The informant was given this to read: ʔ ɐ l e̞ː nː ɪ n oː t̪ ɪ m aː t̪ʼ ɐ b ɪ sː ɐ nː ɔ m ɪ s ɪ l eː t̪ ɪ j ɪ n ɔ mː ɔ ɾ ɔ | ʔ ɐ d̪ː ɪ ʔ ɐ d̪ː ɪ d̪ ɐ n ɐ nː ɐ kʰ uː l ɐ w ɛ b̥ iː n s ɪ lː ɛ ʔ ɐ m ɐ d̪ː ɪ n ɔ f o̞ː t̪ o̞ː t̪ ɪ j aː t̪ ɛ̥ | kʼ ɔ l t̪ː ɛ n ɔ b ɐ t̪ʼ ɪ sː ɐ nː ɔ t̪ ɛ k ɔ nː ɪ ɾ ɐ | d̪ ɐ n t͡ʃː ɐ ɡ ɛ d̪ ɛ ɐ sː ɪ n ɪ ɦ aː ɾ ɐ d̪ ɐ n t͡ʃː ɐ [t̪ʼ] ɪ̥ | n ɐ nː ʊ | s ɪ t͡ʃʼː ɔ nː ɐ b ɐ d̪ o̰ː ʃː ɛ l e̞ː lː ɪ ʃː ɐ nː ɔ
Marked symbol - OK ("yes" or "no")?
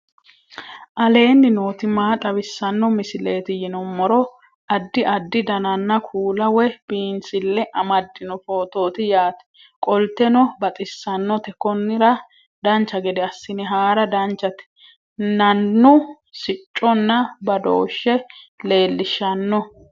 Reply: no